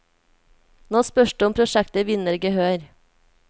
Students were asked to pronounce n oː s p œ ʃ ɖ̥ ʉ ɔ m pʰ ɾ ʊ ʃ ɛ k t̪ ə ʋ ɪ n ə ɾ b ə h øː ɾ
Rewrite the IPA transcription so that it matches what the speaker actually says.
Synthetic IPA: n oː s p œ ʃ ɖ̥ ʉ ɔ m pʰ ɾ ʊ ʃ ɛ k t̪ ə ʋ ɪ n ə ɾ ɡ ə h øː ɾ